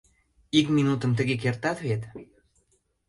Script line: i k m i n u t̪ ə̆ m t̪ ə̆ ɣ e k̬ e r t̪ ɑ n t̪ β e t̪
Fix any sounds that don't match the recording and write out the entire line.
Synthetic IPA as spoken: i k m i n u t̪ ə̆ m t̪ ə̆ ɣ e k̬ e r t̪ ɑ t̪ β e t̪

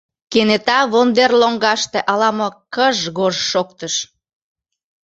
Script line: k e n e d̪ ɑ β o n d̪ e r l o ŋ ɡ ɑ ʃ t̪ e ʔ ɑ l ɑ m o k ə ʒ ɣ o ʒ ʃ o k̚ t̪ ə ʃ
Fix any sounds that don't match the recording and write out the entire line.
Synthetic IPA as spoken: k e n e t̪ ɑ β o n d̪ e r l o ŋ ɡ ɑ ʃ t̪ e ʔ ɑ l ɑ m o k ə ʒ ɣ o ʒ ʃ o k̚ t̪ ə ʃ

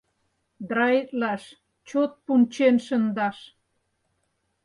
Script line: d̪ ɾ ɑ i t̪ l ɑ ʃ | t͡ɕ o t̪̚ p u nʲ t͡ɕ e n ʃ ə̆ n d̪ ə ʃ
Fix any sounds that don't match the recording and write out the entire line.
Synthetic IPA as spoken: d̪ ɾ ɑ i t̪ l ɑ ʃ | t͡ɕ o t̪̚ p u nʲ t͡ɕ e n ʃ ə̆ n d̪ ɑ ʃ

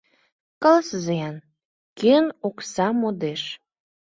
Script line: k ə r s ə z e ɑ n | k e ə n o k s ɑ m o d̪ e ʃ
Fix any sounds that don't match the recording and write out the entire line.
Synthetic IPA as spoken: k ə l s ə z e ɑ n | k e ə n o k s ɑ m o d̪ e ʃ

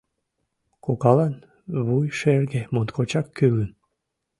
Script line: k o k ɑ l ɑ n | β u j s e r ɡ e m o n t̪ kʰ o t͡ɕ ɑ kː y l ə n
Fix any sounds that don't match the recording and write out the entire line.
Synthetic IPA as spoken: k o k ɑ l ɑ n | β u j ʃ e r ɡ e m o n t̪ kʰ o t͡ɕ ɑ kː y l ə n

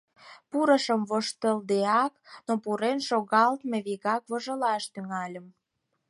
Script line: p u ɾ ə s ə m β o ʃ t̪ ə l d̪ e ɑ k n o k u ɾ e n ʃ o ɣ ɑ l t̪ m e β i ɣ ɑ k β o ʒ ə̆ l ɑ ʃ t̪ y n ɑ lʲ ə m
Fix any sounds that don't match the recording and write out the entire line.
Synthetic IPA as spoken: p u ɾ ə ʃ ə m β o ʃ t̪ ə l d̪ e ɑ k n o p u ɾ e n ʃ o ɣ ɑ l t̪ m e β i ɣ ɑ k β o ʒ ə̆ l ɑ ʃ t̪ y ŋ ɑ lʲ ə m

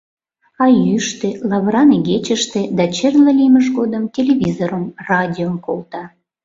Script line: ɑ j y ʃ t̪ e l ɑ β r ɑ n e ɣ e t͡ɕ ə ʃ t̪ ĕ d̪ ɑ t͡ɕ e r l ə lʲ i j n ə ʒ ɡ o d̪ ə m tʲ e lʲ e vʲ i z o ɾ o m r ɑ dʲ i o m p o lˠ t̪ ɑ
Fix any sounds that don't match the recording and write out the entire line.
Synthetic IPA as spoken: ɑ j y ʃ t̪ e l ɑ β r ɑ n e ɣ e t͡ɕ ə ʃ t̪ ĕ d̪ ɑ t͡ɕ e r l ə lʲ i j m ə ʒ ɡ o d̪ ə m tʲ e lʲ e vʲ i z o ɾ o m r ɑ dʲ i o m k o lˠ t̪ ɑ

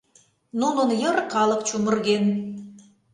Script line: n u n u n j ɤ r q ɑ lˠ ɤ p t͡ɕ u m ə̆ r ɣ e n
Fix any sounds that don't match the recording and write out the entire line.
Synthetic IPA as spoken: n u n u n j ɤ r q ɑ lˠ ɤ q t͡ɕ u m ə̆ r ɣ e n

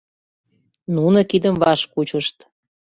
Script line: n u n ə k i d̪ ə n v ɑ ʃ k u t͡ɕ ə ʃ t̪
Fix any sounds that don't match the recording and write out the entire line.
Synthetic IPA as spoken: n u n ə k i d̪ ə m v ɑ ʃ k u t͡ɕ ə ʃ t̪

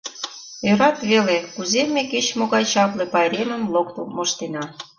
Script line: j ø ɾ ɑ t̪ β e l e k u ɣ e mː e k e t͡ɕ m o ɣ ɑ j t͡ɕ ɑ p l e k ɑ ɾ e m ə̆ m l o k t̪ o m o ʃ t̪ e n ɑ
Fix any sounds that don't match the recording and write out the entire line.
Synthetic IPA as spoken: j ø ɾ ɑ t̪ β e l e k u z e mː e k e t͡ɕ m o ɣ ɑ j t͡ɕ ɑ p l e p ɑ ɾ e m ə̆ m l o k t̪ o m o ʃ t̪ e n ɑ

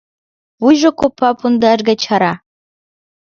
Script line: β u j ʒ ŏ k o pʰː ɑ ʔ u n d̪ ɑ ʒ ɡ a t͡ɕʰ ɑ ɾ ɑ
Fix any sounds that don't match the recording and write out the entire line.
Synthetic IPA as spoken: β u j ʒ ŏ k o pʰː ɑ p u n d̪ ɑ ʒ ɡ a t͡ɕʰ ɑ ɾ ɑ

